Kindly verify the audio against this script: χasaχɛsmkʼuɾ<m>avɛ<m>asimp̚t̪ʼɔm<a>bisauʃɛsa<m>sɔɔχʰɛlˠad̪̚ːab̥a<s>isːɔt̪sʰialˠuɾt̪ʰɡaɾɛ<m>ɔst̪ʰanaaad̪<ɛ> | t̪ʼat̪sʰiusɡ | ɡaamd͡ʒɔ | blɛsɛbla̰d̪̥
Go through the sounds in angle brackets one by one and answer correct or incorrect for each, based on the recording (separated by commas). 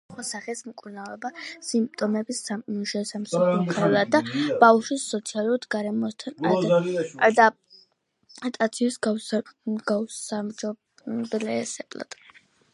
incorrect, incorrect, incorrect, correct, incorrect, correct, incorrect